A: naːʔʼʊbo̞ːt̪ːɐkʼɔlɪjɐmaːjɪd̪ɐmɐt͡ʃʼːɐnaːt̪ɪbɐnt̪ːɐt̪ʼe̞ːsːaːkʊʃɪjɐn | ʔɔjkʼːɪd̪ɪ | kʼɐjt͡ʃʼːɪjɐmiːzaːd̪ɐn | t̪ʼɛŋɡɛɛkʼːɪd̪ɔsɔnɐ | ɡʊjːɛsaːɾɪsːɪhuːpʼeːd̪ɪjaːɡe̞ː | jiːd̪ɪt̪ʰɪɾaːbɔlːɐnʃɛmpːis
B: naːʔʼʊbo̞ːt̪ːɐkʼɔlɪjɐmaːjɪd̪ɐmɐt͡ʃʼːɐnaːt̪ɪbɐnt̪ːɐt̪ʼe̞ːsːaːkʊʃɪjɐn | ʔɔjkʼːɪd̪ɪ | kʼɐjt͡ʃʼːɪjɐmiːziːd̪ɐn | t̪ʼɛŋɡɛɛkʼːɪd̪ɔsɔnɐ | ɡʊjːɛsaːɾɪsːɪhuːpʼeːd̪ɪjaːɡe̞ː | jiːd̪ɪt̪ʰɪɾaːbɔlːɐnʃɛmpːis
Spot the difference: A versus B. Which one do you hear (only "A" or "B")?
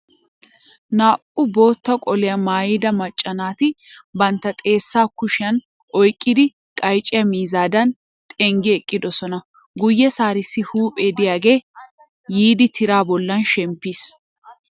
A